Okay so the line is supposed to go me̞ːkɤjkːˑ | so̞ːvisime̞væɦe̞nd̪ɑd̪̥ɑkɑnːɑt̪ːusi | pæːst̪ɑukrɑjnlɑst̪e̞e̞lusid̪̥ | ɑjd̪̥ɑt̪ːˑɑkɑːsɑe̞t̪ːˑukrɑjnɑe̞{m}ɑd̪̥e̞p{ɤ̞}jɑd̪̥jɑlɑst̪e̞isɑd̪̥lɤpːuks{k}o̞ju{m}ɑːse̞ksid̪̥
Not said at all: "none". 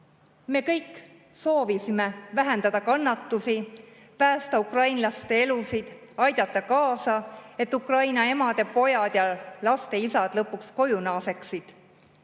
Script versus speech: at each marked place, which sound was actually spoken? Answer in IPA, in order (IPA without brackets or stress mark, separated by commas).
m, o̞, k, n